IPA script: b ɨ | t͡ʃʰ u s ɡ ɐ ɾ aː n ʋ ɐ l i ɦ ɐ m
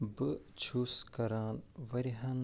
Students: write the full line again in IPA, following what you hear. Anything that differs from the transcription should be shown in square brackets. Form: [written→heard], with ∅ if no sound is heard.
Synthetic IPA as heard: b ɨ | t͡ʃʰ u s [ɡ→k] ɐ ɾ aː n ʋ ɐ [l→ɾ] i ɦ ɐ [m→n]

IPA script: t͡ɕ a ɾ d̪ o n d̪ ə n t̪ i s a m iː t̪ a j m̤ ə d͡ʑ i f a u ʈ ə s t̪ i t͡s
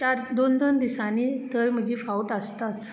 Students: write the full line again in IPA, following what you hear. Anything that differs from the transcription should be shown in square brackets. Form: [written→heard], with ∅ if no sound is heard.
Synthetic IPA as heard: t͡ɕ a ɾ d̪ o n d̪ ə n [t̪→d̪] i s a [m→n] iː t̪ [a→ə] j m̤ ə d͡ʑ i f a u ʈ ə s t̪ [i→a] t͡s

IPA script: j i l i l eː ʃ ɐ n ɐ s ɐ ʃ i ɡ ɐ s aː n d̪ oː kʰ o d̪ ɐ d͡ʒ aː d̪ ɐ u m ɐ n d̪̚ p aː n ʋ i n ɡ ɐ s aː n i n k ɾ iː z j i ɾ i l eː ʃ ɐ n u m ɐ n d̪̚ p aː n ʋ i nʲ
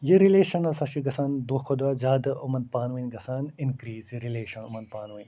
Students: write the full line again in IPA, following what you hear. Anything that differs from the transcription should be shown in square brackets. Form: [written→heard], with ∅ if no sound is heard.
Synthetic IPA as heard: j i [l→ɾ] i l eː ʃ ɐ n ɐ s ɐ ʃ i ɡ ɐ s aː n d̪ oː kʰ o d̪ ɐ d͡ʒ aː d̪ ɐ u m ɐ n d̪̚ p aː n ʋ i n ɡ ɐ s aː n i n k ɾ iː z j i ɾ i l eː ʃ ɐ n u m ɐ n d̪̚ p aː n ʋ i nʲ

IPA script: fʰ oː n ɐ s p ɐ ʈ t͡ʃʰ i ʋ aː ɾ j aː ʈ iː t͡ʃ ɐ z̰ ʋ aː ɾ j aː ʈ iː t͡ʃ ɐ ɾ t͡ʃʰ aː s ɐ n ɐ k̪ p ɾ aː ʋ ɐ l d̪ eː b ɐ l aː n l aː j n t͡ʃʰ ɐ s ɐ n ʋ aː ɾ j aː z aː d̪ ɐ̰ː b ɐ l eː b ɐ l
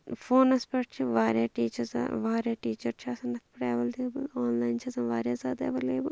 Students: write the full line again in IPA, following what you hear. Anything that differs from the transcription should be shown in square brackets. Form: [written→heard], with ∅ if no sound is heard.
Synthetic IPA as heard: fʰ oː n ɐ s p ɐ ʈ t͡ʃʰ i ʋ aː ɾ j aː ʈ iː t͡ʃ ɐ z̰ ʋ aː ɾ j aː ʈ iː t͡ʃ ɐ ɾ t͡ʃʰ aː s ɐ n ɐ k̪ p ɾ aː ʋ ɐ l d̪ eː b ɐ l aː n l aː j n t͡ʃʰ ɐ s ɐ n ʋ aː ɾ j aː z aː d̪ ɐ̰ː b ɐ l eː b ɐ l

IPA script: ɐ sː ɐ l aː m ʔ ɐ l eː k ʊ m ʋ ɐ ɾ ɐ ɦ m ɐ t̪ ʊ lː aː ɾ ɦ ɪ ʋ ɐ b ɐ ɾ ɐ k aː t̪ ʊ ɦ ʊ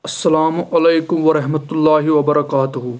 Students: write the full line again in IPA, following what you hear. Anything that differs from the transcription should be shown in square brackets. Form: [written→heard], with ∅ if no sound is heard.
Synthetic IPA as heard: ɐ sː ɐ l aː m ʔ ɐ l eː k ʊ m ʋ ɐ ɾ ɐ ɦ m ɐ t̪ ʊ lː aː [ɾ→∅] ɦ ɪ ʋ ɐ b ɐ ɾ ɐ k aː t̪ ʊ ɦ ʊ

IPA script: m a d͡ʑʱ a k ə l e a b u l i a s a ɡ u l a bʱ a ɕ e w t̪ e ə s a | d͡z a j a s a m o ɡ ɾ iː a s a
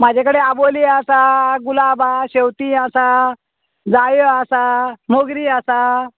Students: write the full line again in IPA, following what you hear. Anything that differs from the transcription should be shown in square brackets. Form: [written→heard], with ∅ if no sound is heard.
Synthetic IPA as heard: m a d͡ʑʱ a k ə [l→ɽ] e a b [u→o] l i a s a ɡ u l a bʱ a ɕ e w t̪ [e→i] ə s a | d͡z a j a s a m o ɡ ɾ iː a s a

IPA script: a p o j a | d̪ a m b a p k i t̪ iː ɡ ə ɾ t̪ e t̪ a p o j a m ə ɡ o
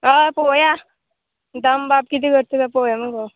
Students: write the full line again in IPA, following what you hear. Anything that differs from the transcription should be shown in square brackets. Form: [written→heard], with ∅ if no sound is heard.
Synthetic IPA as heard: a p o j a | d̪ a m b a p k i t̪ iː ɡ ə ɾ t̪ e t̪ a p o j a m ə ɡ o

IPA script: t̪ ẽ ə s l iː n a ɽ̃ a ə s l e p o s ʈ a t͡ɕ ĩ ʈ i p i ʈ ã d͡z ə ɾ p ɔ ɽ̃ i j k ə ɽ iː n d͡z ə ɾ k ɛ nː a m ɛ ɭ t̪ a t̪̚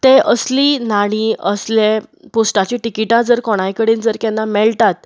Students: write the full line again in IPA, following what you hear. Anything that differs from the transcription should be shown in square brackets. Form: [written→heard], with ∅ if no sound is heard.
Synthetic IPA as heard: t̪ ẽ ə s l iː n a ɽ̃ [a→i] ə s l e p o s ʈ a t͡ɕ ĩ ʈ i [p→k] i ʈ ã d͡z ə ɾ [p→k] ɔ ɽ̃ [i→a] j k ə ɽ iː n d͡z ə ɾ k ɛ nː a m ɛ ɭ t̪ a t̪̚

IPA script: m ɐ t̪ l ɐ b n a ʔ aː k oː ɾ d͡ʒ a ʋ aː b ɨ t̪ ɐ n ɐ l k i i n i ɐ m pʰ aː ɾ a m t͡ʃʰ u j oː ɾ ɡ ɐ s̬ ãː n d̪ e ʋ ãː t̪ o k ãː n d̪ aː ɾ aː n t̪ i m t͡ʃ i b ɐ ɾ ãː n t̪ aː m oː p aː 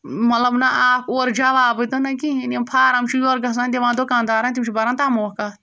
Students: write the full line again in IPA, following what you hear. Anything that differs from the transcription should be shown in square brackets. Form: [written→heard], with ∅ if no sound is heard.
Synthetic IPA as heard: m ɐ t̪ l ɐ b n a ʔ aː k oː ɾ d͡ʒ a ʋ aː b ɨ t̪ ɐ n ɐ [l→∅] k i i n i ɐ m pʰ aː ɾ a m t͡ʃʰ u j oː ɾ ɡ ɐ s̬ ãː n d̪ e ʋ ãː [t̪→d̪] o k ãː n d̪ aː ɾ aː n t̪ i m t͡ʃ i b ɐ ɾ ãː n t̪ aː m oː [p→k] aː

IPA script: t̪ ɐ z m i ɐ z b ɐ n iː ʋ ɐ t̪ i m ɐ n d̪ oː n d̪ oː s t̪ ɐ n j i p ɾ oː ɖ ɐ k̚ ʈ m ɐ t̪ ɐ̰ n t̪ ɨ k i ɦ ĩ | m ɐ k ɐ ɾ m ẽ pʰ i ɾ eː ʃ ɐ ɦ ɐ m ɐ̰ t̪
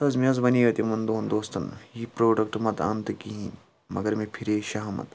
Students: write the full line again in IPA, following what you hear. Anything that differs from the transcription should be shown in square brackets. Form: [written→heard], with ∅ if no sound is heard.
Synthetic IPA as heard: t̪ ɐ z m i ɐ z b ɐ n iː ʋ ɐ t̪ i m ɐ n d̪ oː n d̪ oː s t̪ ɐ n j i p ɾ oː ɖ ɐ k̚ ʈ m ɐ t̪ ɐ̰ n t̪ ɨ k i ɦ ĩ | m ɐ [k→ɡ] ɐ ɾ m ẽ pʰ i ɾ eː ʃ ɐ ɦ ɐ m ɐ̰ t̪

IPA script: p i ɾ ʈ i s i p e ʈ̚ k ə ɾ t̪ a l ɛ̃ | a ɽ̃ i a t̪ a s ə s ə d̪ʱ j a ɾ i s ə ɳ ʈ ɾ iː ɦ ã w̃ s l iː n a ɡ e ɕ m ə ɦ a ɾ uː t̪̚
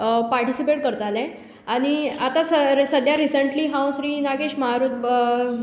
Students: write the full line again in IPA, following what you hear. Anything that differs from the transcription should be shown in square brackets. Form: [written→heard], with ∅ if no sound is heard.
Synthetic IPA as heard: p [i→a] ɾ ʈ i s i p e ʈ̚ k ə ɾ t̪ a l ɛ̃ | a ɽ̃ i a t̪ a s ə s ə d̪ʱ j a ɾ i s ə ɳ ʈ [ɾ→l] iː ɦ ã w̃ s [l→ɾ] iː n a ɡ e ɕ m ə ɦ a ɾ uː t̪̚

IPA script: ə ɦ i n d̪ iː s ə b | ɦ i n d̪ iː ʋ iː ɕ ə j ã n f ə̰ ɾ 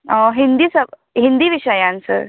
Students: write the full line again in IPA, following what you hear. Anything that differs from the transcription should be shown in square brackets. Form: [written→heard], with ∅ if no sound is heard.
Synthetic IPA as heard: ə ɦ i n d̪ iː s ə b | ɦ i n d̪ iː ʋ [iː→i] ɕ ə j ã n [f→s] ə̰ ɾ

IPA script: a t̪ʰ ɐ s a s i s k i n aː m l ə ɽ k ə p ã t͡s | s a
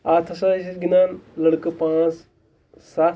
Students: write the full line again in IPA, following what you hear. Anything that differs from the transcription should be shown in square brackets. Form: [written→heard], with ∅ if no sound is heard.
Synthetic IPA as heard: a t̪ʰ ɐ s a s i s [k→ɡ] i n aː [m→n] l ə ɽ k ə p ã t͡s | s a

